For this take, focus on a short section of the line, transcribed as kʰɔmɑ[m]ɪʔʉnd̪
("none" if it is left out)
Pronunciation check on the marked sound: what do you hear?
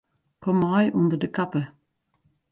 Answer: none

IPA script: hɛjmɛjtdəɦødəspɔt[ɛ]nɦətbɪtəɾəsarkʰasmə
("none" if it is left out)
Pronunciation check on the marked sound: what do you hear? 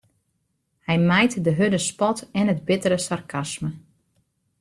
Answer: ɛ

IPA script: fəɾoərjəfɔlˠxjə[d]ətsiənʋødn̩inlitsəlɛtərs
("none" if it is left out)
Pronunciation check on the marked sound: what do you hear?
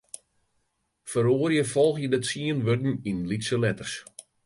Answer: d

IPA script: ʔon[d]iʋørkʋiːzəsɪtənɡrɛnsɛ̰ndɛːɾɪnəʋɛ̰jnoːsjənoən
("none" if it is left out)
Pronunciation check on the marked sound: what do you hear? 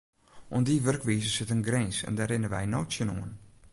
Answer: d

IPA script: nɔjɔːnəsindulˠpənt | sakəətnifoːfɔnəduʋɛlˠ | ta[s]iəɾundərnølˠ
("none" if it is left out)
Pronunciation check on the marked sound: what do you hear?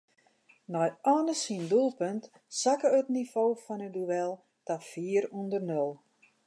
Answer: f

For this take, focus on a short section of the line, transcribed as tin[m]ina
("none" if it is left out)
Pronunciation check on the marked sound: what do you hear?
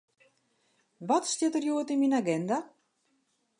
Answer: m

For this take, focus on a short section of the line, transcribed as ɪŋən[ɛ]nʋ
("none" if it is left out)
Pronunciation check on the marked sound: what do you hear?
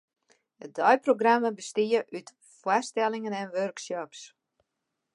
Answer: ɛ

